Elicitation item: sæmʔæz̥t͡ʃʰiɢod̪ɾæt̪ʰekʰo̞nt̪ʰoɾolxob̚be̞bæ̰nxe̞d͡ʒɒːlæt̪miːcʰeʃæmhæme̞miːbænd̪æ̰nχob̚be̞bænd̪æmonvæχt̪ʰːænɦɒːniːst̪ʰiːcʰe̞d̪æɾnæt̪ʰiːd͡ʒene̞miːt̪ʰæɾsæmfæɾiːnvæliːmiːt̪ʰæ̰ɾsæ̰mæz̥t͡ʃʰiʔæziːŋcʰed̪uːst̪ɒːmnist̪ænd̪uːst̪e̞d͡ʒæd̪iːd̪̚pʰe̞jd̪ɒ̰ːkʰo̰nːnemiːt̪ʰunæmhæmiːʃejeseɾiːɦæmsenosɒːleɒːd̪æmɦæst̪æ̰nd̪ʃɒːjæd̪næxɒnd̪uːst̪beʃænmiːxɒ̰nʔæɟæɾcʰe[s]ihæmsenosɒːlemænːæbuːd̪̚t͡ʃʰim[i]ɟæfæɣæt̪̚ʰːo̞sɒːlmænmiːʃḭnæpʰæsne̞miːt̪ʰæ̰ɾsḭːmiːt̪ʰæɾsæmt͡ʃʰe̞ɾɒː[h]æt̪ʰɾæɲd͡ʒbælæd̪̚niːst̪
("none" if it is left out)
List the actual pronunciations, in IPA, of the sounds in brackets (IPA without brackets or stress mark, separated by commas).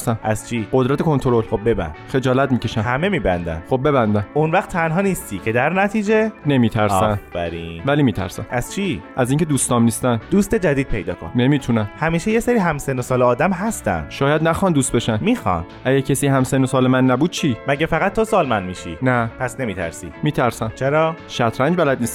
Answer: s, æ, ʃ